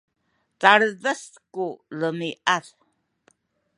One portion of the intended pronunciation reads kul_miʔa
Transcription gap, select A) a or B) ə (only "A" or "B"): B